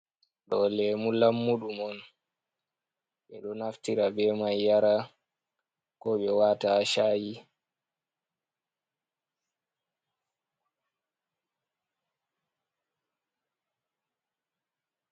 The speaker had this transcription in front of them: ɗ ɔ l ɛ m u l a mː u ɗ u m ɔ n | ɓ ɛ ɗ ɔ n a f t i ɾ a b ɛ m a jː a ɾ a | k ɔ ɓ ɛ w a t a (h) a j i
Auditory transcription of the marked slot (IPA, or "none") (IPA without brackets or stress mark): ʃ